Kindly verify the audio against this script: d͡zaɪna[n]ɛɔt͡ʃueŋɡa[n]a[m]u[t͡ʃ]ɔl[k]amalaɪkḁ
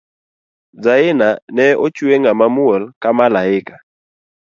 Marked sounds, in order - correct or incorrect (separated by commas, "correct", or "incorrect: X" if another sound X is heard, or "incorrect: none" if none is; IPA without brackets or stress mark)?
correct, incorrect: m, correct, incorrect: none, correct